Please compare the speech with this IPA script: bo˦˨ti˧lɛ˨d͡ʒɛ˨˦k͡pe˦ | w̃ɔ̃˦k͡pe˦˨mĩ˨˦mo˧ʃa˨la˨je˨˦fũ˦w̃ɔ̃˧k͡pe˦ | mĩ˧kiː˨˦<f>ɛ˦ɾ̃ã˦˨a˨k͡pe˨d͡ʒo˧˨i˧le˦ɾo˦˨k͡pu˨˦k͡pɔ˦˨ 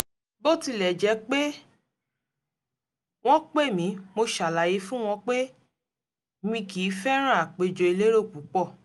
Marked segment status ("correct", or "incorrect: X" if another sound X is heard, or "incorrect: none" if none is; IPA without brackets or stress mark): correct